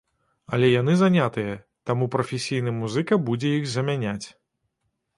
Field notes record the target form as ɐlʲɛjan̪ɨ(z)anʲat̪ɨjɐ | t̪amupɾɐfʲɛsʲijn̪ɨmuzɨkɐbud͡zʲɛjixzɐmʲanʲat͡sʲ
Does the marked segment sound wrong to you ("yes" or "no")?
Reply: no